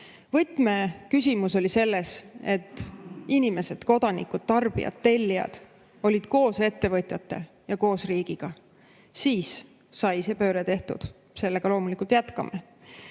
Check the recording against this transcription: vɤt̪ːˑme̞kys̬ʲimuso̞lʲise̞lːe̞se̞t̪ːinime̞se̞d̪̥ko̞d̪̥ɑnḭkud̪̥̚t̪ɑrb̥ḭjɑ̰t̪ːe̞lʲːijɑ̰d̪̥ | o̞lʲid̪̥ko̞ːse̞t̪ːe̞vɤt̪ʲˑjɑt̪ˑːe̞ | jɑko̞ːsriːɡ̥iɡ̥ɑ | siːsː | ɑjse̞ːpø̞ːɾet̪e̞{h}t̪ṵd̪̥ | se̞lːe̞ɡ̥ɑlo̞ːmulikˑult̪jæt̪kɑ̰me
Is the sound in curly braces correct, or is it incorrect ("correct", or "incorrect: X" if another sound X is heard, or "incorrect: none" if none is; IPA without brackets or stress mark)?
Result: correct